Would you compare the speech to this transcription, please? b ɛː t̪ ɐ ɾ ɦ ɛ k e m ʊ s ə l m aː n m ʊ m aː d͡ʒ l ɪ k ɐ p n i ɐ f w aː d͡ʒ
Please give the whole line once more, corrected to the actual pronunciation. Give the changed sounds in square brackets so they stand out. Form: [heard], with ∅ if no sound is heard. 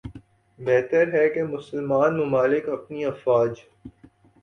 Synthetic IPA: b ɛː t̪ [ə] ɾ ɦ ɛ k e m ʊ s ə l m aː n m ʊ m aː [∅] l ɪ k ɐ p n i ɐ f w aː d͡ʒ